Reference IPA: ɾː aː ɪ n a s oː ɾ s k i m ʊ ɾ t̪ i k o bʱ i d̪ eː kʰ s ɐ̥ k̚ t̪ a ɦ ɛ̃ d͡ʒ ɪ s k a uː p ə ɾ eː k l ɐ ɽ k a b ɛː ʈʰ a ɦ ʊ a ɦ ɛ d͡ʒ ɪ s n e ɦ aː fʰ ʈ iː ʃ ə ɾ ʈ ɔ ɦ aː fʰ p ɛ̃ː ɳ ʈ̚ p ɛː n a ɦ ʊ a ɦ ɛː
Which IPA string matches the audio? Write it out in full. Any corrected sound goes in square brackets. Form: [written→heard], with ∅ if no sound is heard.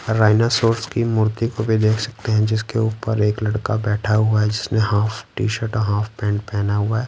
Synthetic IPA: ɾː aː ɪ n a s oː ɾ s k i m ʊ ɾ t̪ i k o bʱ i d̪ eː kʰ s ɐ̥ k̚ t̪ [a→e] ɦ ɛ̃ d͡ʒ ɪ s k [a→e] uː p ə ɾ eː k l ɐ ɽ k a b ɛː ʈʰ a ɦ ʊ a ɦ ɛ d͡ʒ ɪ s n e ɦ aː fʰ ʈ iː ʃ ə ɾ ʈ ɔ ɦ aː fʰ p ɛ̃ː ɳ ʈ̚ p ɛː n a ɦ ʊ a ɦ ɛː

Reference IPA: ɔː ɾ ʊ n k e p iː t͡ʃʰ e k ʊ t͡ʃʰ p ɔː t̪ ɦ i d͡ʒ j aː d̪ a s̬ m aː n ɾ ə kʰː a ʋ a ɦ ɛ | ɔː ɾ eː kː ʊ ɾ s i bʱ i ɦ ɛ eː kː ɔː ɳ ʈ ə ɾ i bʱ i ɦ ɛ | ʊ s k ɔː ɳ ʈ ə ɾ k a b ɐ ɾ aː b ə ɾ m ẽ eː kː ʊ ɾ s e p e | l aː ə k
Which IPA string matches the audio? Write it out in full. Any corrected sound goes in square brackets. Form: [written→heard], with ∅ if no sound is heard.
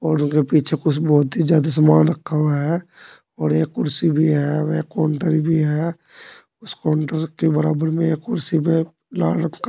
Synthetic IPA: ɔː ɾ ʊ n k e p iː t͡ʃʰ e k ʊ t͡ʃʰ [p→b] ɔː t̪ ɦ i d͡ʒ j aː d̪ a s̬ m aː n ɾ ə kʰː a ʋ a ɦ ɛ | ɔː ɾ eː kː ʊ ɾ s i bʱ i ɦ ɛ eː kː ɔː ɳ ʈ ə ɾ i bʱ i ɦ ɛ | ʊ s k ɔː ɳ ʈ ə ɾ k [a→e] b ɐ ɾ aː b ə ɾ m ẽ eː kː ʊ ɾ s [e→i] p e | l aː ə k

